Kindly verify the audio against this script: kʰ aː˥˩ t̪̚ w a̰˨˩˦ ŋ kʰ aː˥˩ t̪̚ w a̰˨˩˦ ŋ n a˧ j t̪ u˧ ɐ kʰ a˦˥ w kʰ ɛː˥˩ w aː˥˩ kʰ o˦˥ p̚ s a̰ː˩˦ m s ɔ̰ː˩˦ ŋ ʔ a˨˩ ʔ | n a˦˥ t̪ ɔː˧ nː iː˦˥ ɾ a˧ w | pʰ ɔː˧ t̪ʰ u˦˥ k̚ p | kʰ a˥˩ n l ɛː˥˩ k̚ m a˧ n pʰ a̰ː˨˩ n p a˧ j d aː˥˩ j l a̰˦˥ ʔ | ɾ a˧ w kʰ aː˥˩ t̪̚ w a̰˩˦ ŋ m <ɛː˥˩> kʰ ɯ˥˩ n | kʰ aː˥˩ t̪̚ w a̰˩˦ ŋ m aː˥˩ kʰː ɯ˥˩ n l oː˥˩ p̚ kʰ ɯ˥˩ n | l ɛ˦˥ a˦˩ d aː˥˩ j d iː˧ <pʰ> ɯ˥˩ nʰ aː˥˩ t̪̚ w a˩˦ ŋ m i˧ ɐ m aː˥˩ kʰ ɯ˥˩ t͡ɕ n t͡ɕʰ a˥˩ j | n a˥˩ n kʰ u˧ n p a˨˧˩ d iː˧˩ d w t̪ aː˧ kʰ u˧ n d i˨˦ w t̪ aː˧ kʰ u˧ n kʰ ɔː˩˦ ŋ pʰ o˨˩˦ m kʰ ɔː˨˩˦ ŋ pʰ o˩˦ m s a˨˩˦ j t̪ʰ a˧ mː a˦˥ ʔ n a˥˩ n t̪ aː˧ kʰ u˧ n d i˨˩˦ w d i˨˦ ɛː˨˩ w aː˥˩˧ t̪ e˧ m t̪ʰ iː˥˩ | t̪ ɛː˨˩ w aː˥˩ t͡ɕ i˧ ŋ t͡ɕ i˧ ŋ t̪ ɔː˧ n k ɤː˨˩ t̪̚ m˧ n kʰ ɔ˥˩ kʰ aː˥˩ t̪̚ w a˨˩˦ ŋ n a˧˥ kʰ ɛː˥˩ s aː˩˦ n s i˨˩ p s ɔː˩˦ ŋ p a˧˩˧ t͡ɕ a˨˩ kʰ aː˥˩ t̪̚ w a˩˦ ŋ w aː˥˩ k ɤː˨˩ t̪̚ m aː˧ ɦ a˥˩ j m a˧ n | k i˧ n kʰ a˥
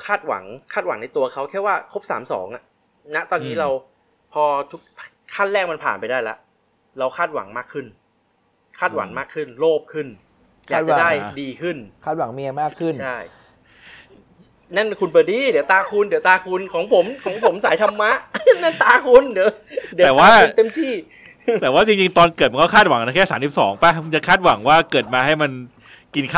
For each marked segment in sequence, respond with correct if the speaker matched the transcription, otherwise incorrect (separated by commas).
incorrect, incorrect